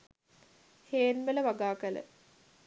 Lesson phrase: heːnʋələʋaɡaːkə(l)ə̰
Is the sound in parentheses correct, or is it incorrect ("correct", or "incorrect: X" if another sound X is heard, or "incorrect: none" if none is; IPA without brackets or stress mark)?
correct